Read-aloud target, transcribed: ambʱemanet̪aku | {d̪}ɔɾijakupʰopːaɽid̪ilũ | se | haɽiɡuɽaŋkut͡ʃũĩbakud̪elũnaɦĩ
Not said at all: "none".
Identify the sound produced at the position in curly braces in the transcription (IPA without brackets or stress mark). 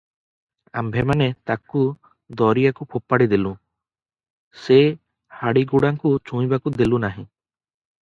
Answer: d̪